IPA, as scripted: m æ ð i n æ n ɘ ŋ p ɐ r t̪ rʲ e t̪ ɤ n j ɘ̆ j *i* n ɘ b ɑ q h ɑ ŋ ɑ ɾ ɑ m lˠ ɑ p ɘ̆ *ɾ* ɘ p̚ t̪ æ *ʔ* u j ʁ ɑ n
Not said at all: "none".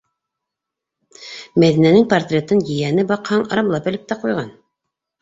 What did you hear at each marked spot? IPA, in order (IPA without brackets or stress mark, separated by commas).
æ, l, q